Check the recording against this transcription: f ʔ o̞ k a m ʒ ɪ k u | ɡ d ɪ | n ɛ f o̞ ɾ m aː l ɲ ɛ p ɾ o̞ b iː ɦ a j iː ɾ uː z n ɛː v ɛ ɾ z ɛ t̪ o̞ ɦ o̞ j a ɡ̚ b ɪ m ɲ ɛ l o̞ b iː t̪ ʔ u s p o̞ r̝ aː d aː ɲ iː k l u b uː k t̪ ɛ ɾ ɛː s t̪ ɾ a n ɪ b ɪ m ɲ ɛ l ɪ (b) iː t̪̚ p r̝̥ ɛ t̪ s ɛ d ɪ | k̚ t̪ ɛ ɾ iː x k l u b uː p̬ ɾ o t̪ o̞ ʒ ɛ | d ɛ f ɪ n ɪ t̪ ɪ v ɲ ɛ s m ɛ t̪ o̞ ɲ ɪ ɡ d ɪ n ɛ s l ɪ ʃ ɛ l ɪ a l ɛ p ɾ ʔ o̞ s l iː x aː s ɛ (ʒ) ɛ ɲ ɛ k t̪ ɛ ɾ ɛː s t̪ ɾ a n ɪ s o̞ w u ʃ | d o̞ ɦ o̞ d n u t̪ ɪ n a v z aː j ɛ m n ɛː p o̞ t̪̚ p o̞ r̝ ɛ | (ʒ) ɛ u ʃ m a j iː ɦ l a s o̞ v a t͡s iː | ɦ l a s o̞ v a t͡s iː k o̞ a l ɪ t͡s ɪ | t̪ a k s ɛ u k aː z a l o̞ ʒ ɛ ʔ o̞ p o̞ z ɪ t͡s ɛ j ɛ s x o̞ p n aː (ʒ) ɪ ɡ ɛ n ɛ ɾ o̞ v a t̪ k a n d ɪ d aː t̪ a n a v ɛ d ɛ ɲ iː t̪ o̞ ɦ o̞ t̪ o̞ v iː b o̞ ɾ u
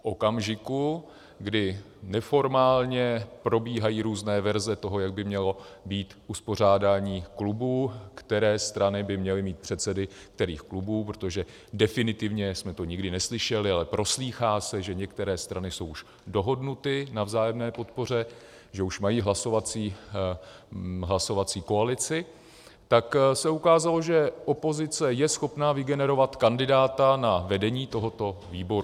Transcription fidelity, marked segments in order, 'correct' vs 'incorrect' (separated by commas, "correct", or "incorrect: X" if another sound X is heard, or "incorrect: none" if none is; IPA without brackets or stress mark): incorrect: m, correct, correct, incorrect: v